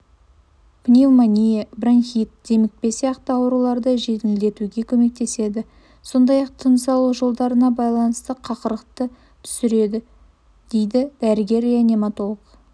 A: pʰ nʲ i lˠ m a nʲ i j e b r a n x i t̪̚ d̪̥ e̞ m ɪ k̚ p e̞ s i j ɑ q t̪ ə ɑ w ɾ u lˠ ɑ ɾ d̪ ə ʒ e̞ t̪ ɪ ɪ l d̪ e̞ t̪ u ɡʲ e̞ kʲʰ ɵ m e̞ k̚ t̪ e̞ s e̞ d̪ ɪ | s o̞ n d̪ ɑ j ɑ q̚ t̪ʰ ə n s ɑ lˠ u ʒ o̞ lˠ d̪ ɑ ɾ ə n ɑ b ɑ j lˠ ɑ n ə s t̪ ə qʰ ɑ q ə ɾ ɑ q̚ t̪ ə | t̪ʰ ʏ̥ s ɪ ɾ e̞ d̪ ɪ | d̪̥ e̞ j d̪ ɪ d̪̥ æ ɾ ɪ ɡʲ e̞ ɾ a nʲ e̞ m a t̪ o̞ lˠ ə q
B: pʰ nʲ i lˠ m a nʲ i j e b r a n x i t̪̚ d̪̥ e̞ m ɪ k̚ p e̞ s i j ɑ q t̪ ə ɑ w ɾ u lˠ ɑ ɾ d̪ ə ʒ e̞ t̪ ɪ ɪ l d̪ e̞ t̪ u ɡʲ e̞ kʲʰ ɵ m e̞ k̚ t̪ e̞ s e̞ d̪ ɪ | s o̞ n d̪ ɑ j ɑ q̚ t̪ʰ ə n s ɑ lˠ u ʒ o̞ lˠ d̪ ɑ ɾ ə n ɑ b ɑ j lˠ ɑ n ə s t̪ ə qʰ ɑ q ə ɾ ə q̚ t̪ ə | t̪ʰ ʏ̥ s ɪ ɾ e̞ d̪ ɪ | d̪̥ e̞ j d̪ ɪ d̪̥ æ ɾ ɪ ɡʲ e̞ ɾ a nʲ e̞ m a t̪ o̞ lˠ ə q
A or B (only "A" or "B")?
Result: B